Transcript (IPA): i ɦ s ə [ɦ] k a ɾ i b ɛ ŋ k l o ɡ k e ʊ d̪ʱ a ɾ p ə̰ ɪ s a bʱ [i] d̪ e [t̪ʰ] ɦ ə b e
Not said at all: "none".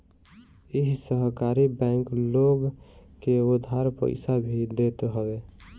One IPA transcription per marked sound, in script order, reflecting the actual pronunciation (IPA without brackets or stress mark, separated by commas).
ɦ, i, t̪